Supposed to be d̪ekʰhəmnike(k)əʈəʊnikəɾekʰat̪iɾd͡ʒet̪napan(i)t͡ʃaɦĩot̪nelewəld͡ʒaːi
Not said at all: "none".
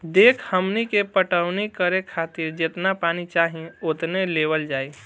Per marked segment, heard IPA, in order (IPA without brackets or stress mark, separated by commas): p, i